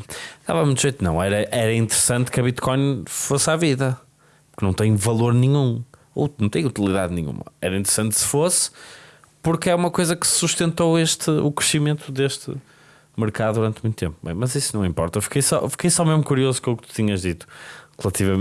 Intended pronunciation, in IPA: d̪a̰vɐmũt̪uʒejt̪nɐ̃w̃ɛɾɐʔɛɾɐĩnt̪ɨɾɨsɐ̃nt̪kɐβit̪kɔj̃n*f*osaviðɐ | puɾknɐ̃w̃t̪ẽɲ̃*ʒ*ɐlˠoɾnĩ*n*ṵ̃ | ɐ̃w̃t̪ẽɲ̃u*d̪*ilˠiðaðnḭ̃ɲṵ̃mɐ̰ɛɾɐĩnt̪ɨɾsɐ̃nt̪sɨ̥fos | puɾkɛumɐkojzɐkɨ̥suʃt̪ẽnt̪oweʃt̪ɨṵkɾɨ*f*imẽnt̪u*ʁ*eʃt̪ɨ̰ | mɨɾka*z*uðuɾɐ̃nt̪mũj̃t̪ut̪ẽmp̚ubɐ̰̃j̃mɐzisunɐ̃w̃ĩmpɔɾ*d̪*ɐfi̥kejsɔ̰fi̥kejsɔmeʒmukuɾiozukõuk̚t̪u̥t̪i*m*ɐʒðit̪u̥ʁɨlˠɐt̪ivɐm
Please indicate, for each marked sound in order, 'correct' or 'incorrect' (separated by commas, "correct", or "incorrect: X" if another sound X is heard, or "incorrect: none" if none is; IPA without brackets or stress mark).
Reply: correct, incorrect: v, incorrect: ɲ, incorrect: t̪, incorrect: ʃ, incorrect: ð, incorrect: ð, incorrect: t̪, incorrect: ɲ